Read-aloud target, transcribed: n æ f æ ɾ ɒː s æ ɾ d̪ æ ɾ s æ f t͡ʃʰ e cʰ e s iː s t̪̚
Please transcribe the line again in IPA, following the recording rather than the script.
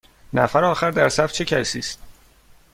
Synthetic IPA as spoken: n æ f æ ɾ ɒː x æ ɾ d̪ æ ɾ s æ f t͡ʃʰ e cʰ æ s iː s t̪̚